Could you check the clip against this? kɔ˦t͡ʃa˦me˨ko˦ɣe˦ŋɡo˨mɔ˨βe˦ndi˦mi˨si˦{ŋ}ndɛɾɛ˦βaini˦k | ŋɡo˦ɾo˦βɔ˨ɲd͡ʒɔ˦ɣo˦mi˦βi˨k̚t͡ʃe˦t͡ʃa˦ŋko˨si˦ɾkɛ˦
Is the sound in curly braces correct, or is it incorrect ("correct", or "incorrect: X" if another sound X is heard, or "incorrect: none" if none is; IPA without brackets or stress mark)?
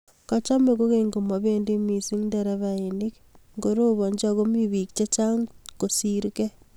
correct